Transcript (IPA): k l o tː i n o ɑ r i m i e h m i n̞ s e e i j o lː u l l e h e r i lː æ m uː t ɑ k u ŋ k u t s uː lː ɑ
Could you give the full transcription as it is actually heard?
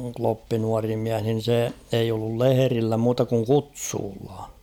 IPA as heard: k l o pː i n u ɑ r i m i æ h n i n̞ s e e i j o lː u l l e h e r i lː æ m uː t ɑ k u ŋ k u t s uː lː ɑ